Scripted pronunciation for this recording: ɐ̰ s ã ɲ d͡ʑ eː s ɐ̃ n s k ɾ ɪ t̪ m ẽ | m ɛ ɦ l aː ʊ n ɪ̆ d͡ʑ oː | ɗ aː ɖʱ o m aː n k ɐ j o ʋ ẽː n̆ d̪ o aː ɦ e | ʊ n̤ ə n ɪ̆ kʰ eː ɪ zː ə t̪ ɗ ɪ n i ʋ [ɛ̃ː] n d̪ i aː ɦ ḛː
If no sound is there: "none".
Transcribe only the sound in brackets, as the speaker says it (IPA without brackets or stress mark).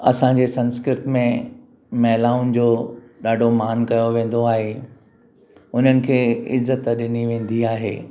ẽː